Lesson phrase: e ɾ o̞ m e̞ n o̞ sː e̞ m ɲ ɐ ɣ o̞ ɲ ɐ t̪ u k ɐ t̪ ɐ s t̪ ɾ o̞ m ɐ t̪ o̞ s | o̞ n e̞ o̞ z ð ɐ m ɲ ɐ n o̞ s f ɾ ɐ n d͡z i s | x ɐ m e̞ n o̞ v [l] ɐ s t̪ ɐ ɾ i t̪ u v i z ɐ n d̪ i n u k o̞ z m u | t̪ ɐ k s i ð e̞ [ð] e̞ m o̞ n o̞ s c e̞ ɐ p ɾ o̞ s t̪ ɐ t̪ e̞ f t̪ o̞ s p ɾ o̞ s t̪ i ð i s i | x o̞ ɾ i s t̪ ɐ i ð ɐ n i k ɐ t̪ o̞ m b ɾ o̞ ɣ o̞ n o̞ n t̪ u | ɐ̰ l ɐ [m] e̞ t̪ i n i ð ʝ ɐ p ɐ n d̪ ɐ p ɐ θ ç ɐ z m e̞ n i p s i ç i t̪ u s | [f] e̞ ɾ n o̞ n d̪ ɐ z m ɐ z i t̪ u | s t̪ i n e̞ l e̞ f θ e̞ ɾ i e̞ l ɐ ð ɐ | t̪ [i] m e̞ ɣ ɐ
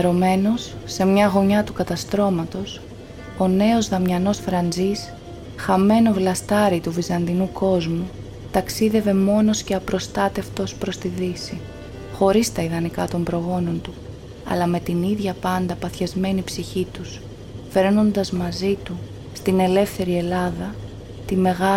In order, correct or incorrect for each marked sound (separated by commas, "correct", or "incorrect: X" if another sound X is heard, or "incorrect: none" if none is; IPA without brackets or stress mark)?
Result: correct, incorrect: v, correct, correct, correct